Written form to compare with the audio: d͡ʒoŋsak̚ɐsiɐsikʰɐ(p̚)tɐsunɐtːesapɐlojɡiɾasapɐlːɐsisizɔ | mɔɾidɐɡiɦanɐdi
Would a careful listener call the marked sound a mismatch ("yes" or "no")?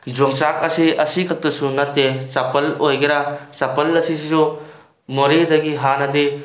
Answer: yes